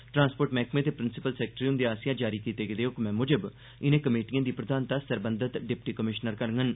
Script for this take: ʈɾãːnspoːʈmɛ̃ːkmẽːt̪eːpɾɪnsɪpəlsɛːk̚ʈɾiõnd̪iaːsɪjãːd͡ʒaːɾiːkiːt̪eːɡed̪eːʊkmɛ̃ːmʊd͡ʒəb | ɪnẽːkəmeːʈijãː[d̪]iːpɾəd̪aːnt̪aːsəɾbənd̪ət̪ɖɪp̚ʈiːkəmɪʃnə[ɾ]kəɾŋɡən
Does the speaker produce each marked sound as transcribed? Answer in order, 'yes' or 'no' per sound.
yes, yes

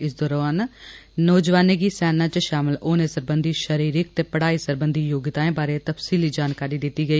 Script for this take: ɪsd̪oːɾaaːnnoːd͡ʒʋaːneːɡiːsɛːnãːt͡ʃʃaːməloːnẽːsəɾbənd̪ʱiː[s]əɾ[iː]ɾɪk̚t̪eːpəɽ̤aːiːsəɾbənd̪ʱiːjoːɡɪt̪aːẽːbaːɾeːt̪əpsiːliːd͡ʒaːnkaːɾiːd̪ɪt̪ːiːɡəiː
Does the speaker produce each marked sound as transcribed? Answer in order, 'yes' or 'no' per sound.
no, yes

